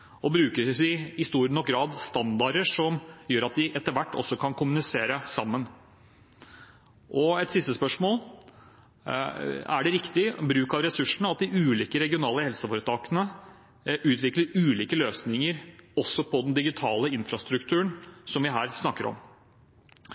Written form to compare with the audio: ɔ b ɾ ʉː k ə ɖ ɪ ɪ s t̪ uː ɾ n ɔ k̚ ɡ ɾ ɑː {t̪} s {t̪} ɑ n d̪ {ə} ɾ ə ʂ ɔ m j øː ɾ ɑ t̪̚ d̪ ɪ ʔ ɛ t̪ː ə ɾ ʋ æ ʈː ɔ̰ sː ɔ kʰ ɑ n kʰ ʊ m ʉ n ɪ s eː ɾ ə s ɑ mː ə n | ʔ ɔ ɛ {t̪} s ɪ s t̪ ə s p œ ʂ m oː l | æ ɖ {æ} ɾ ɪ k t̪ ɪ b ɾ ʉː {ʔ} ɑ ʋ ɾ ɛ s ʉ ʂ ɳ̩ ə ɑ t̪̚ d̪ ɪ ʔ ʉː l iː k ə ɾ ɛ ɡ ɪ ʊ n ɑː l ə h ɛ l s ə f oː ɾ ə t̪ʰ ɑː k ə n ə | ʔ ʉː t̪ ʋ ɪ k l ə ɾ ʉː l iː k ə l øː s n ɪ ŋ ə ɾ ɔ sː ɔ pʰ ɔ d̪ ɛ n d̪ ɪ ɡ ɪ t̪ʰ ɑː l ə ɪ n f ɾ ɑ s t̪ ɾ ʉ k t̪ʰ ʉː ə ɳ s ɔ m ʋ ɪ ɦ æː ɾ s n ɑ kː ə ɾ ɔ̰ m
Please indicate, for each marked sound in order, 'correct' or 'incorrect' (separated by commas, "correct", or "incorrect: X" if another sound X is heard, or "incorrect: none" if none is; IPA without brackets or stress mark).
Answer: incorrect: d̪, correct, incorrect: ɑ, correct, incorrect: ɛ, incorrect: k